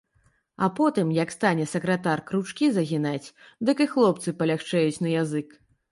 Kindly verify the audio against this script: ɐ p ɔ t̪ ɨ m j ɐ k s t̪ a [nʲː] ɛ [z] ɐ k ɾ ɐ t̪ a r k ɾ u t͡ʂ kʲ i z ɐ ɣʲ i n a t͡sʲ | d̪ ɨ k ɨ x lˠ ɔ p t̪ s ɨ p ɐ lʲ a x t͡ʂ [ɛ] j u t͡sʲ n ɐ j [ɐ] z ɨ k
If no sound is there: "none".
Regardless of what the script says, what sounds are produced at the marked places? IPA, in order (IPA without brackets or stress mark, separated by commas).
nʲ, s, ɛ, a